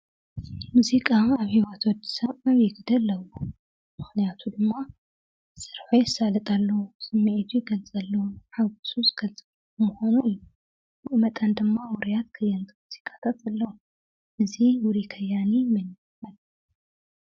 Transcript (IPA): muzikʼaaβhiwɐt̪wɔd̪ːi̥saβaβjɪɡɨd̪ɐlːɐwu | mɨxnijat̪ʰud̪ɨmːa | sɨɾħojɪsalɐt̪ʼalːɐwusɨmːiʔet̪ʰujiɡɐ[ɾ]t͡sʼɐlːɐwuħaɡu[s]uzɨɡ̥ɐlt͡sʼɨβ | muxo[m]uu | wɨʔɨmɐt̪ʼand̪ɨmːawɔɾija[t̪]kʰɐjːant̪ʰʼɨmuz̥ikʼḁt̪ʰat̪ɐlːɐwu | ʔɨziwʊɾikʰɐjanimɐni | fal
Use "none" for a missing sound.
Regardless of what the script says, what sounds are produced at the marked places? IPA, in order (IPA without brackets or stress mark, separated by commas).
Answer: l, s, n, t̪